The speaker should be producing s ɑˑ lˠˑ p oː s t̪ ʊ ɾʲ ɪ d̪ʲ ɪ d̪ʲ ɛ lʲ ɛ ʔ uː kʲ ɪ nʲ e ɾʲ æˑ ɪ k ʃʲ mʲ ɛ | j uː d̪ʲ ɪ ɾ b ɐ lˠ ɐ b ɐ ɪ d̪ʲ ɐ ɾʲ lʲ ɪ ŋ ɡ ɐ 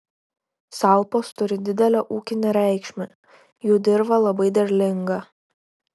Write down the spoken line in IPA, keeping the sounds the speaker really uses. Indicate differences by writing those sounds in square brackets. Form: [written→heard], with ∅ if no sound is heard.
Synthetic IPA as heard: s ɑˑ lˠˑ p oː s t̪ ʊ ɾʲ ɪ d̪ʲ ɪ d̪ʲ ɛ lʲ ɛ ʔ uː kʲ ɪ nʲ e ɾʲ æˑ ɪ k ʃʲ mʲ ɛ | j uː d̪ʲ ɪ ɾ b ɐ lˠ ɐ b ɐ ɪ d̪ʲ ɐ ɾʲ lʲ ɪ ŋ ɡ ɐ